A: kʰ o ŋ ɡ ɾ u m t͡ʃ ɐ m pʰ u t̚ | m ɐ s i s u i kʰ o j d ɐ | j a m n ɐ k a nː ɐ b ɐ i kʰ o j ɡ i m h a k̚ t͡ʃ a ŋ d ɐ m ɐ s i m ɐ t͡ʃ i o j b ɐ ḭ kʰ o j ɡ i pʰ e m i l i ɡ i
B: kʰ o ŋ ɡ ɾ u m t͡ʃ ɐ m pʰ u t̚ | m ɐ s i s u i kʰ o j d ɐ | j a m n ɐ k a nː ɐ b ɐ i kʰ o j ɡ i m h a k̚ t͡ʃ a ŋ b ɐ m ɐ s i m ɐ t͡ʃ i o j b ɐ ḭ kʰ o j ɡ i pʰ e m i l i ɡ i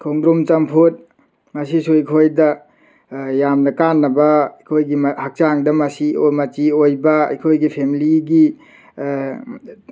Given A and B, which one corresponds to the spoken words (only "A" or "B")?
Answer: A